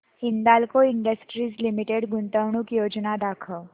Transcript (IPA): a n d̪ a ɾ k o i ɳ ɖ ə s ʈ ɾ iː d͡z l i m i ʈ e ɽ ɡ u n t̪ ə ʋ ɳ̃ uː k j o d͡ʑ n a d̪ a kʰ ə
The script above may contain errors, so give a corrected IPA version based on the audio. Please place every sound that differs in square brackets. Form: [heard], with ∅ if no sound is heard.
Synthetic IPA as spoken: [i] n d̪ a [l] k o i ɳ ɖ ə s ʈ ɾ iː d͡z l i m i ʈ e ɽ ɡ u n t̪ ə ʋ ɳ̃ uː k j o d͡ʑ n a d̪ a kʰ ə